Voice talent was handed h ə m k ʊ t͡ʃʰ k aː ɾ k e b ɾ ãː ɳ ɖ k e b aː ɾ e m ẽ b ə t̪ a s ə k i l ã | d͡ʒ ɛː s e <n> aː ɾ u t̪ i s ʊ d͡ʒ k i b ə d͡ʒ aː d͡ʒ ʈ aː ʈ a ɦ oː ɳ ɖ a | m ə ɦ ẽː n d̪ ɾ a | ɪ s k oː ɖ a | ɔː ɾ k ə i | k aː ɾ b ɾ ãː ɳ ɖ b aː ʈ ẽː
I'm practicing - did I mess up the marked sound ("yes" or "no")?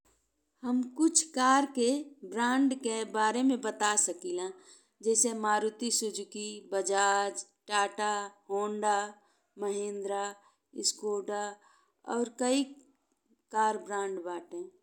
yes